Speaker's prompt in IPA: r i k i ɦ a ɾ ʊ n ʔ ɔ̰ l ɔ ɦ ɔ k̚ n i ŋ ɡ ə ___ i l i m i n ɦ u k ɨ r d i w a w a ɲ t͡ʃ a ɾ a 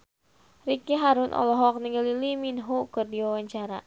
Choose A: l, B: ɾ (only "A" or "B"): A